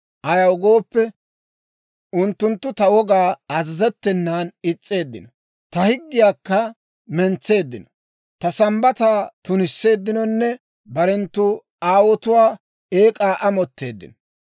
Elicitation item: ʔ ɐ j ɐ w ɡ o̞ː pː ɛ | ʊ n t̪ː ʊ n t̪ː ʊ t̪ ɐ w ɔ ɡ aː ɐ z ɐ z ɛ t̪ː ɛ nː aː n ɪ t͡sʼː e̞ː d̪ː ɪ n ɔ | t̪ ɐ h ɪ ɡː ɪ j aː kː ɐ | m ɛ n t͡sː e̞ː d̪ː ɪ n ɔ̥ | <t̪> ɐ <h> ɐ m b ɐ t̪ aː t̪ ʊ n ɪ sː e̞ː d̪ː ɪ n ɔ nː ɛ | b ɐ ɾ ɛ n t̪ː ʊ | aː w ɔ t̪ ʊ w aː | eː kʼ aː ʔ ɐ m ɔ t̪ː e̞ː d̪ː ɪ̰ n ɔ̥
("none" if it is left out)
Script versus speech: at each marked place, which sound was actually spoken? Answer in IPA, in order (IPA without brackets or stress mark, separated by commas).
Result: t̪, s